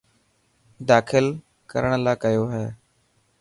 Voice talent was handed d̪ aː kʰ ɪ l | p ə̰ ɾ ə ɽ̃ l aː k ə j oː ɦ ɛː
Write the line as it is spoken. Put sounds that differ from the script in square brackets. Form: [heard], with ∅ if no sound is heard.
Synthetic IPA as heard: d̪ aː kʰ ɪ l | [k] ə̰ ɾ ə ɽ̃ l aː k ə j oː ɦ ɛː